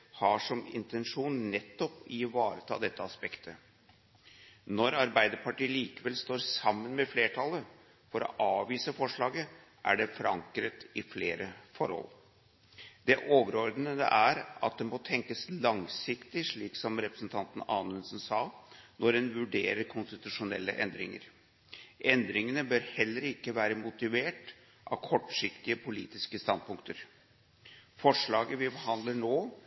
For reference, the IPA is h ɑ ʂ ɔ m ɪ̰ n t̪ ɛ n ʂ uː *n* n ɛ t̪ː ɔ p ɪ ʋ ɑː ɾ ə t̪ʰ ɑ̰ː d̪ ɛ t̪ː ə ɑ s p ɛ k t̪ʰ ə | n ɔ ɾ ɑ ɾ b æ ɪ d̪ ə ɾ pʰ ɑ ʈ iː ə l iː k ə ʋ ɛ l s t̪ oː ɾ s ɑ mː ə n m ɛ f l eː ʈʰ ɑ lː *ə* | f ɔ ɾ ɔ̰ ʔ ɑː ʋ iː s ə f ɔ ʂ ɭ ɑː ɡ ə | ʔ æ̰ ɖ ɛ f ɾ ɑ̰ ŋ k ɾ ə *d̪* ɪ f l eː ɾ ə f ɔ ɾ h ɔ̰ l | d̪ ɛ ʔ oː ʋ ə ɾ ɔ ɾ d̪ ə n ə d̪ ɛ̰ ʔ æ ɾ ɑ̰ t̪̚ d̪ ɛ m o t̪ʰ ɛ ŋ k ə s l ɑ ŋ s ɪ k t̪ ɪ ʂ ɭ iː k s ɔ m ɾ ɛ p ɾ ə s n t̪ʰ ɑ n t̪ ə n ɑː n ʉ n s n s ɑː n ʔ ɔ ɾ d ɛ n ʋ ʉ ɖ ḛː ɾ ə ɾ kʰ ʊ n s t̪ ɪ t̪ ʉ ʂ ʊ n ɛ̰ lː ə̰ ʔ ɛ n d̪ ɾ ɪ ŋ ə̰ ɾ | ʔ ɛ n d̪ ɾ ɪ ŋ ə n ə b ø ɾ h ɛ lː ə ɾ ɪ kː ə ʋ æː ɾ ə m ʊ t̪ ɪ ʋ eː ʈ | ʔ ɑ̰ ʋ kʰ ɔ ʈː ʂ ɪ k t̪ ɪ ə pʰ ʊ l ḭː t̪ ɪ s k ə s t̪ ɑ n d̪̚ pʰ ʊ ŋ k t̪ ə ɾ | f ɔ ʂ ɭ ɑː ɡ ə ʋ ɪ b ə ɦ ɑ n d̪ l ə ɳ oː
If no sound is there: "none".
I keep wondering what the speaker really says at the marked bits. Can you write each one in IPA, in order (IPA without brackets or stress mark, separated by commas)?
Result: n, ə, t̪